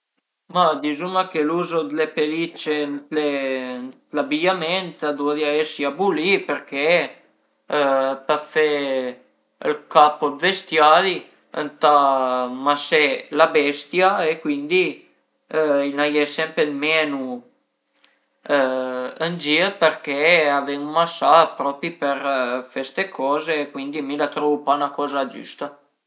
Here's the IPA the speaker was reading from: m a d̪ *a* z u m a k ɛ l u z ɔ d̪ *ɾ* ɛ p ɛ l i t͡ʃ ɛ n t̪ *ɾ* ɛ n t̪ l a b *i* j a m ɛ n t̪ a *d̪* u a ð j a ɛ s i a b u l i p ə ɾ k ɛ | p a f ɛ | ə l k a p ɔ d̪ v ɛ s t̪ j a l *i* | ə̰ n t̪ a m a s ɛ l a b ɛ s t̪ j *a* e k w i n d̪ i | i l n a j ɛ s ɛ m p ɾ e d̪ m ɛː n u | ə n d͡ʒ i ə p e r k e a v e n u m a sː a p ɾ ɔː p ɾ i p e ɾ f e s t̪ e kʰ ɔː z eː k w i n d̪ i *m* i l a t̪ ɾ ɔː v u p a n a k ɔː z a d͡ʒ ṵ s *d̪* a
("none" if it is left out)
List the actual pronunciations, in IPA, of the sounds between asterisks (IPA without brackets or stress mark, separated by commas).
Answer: i, l, l, i, d̪, i, a, m, t̪